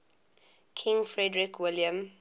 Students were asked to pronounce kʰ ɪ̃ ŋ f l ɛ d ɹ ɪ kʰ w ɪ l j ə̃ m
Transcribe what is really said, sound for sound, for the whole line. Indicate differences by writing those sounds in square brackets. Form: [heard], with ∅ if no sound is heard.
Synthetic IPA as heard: kʰ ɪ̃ ŋ f [ɹ] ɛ d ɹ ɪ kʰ w ɪ l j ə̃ m